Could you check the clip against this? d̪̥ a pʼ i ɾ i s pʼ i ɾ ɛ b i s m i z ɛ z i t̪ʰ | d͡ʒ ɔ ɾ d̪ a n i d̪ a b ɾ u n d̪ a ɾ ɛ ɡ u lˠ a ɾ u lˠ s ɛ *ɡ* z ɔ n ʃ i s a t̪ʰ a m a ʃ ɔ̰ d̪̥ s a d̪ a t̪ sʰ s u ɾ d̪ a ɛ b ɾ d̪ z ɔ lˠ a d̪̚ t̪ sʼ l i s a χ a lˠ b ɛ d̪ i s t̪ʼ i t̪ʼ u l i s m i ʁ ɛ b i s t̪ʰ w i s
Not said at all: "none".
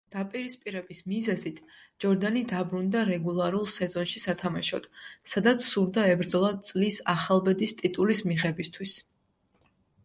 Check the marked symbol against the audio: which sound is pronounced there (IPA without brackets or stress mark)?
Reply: none